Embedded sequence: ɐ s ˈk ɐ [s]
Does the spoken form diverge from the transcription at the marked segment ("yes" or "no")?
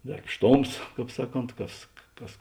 no